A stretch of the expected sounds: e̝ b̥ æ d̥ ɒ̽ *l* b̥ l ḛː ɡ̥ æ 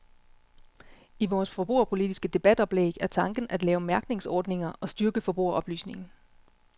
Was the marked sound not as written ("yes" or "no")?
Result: yes